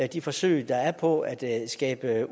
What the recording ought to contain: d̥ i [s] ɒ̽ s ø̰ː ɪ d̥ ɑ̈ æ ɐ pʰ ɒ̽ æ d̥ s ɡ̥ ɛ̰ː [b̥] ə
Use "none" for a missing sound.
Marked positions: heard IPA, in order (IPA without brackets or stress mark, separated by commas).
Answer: f, b̥